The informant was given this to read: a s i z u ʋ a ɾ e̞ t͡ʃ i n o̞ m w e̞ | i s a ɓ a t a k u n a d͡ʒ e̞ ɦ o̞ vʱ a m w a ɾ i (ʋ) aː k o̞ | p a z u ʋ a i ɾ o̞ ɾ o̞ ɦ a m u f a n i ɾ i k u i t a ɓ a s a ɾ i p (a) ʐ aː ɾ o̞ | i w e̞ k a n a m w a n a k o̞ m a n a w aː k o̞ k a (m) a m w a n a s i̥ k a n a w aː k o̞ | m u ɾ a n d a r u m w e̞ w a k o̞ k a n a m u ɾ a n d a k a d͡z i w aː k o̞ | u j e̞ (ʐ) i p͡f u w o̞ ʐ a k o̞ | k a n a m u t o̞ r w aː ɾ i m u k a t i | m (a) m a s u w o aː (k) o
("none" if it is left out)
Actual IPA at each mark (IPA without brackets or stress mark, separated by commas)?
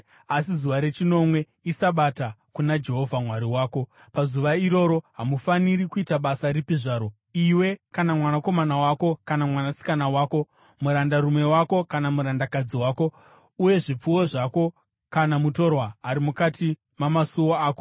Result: w, i, n, ʐ, a, k